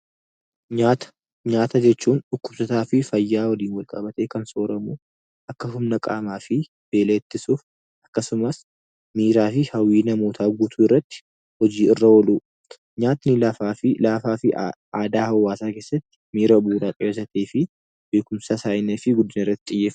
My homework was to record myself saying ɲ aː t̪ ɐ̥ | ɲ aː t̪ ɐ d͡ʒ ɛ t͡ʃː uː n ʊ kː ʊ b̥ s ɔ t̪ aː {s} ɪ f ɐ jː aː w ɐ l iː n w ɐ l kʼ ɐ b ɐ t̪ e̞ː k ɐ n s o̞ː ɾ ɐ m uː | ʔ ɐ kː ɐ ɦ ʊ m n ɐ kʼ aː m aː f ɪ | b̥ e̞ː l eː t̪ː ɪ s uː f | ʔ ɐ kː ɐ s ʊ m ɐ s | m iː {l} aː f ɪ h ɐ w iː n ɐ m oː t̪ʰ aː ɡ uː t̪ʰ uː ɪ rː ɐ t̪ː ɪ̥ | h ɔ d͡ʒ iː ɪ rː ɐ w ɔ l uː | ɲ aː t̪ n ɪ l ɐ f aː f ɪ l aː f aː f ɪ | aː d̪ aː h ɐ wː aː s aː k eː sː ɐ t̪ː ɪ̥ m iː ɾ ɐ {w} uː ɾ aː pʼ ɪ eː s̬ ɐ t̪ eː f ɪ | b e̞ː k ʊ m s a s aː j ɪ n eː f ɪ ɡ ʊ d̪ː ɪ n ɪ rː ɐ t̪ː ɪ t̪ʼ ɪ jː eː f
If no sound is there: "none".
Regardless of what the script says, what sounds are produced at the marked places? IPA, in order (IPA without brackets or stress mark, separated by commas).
f, ɾ, b